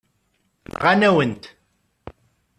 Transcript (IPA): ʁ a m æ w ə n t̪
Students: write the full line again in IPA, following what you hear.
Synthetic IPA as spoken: ʁ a n æ w ə n t̪